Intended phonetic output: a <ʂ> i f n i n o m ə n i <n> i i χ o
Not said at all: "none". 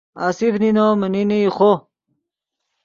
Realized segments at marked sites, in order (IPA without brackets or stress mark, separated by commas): s, n